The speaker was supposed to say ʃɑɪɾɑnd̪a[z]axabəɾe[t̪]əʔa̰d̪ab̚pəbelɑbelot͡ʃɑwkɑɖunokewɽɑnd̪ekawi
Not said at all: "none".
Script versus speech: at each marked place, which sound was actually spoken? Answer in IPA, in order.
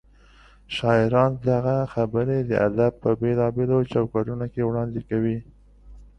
ɣ, d̪

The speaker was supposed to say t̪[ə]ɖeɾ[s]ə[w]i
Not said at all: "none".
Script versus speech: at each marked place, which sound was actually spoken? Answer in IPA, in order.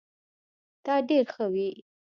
ɑ, x, w

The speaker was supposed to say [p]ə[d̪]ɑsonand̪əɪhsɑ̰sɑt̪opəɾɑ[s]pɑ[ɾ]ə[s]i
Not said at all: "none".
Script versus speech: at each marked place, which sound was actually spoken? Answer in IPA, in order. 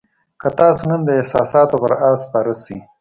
k, t̪, s, ɾ, s

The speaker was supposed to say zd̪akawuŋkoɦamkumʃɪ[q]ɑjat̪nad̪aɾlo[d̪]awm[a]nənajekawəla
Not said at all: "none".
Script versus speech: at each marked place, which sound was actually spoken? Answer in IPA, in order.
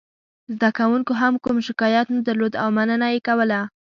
k, d̪, a

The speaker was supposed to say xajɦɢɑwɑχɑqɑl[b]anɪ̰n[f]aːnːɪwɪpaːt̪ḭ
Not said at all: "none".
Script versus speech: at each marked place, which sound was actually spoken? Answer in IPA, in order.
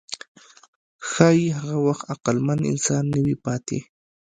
m, s

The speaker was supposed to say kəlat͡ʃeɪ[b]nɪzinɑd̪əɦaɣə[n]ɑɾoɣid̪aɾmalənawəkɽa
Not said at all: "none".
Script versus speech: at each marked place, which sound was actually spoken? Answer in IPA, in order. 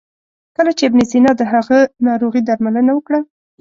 b, n

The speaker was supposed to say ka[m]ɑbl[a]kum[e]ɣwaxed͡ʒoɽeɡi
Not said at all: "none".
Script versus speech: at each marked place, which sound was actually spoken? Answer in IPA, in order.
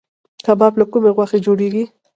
b, a, e

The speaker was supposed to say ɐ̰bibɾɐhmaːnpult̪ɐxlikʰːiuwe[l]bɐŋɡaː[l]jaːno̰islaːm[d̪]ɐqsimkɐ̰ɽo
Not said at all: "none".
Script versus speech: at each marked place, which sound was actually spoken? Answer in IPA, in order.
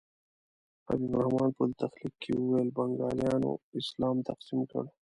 l, l, t̪

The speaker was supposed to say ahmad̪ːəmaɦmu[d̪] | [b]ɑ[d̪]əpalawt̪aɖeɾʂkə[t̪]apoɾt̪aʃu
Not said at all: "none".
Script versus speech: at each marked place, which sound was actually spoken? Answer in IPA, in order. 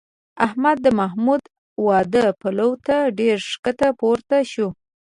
d̪, w, d̪, t̪

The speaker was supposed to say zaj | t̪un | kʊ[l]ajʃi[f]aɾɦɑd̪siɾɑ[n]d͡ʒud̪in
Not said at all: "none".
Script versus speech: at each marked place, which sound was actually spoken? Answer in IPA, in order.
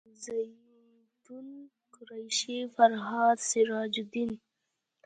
ɾ, f, none

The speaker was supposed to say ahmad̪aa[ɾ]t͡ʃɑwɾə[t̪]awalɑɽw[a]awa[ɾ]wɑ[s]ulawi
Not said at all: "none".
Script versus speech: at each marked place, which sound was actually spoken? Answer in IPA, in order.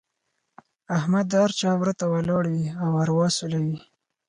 ɾ, t̪, i, ɾ, s

